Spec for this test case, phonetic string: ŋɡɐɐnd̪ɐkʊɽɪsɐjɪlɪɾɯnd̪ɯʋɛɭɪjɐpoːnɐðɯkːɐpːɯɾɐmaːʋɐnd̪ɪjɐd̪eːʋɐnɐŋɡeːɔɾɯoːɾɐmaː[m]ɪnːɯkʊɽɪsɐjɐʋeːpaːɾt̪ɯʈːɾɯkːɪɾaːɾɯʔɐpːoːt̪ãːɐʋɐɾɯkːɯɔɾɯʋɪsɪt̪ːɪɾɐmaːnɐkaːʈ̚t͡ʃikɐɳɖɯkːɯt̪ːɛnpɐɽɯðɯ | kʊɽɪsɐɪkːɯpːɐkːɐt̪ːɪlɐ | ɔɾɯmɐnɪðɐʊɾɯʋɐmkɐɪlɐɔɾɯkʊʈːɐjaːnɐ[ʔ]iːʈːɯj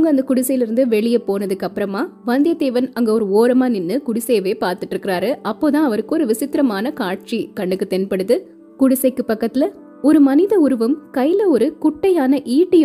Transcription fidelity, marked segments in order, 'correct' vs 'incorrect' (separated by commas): incorrect, correct